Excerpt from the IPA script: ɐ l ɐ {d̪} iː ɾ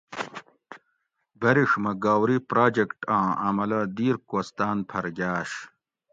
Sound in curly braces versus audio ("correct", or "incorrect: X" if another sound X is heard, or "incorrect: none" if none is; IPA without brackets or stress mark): correct